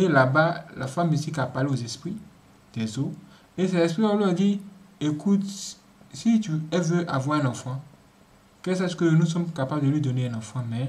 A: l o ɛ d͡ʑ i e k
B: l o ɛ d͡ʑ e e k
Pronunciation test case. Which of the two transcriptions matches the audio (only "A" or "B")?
A